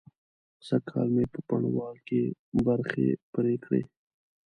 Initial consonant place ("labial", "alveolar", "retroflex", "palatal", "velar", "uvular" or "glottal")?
alveolar